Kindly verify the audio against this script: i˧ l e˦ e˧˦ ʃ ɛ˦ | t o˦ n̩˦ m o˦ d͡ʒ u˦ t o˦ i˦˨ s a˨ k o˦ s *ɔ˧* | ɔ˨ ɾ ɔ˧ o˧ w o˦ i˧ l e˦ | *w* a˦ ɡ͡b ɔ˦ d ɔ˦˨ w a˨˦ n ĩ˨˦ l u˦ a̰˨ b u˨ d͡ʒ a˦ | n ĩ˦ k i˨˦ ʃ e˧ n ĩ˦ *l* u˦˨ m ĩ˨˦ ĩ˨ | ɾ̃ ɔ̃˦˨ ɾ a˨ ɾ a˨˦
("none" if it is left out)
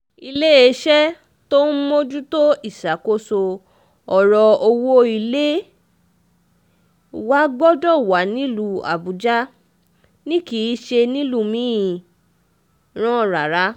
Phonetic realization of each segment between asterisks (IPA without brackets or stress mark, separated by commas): o˧, w, l